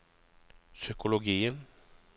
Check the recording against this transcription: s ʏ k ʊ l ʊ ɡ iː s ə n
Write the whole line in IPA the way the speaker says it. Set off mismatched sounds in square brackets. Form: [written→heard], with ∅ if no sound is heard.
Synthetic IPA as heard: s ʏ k ʊ l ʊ ɡ iː [s→∅] ə n

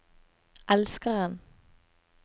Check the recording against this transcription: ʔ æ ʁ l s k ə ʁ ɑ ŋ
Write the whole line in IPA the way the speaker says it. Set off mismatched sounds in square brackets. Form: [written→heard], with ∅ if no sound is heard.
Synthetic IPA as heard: ʔ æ [ʁ→∅] l s k ə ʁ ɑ [ŋ→n]

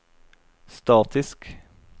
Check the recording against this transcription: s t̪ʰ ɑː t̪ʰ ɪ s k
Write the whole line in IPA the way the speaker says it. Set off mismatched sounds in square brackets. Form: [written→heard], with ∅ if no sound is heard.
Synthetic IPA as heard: s [t̪ʰ→t̪] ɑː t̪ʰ ɪ s k

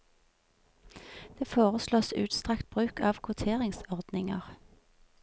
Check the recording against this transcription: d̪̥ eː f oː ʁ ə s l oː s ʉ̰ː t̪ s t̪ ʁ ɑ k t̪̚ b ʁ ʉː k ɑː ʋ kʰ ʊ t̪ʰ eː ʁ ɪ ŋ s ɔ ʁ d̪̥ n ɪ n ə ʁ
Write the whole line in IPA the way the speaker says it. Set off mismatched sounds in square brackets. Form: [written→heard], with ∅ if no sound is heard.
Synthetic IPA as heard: d̪̥ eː f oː ʁ ə s l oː s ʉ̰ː t̪ s t̪ ʁ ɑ k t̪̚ b ʁ ʉː k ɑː ʋ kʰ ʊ t̪ʰ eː ʁ ɪ ŋ s ɔ ʁ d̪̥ n ɪ [n→ŋ] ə ʁ

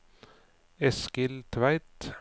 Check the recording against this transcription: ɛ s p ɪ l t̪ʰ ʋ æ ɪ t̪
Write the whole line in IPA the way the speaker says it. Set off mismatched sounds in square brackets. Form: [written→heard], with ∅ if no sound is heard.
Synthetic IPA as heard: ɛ s [p→k] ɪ l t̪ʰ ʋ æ ɪ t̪

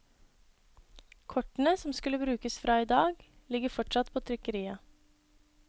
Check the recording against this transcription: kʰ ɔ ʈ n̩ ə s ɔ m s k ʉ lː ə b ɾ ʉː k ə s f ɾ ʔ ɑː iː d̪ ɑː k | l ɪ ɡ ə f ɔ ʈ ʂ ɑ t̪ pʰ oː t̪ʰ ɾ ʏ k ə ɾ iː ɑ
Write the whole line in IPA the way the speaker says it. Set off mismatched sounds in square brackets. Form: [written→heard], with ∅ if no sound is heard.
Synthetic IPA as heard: kʰ ɔ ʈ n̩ ə s ɔ m s k ʉ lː ə b ɾ ʉː k ə s f ɾ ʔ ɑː iː d̪ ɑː [k→ɡ] | l ɪ ɡ ə f ɔ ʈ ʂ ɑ t̪ pʰ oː t̪ʰ ɾ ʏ k ə ɾ iː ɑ

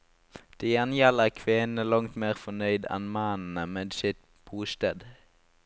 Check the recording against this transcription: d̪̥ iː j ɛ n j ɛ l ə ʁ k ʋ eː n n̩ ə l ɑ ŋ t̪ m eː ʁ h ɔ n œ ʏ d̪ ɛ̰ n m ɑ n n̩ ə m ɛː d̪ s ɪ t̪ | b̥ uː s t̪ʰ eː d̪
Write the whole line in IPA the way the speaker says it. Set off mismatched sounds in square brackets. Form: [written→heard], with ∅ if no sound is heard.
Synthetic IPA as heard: d̪̥ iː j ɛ n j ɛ l ə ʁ [k→kʰ] ʋ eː n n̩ ə l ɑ ŋ t̪ m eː ʁ [h→f] ɔ n œ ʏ d̪ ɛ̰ n m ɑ n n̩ ə m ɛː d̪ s ɪ t̪ | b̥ uː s [t̪ʰ→t̪] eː d̪

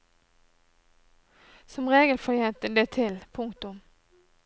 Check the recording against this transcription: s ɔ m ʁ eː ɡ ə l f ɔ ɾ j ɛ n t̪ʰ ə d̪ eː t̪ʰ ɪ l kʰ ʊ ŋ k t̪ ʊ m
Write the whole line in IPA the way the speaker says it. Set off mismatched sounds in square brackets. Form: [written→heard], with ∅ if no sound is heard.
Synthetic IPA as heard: s ɔ m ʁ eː ɡ ə l f ɔ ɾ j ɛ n [t̪ʰ→t̪] ə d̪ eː t̪ʰ ɪ l [kʰ→pʰ] ʊ ŋ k t̪ ʊ m

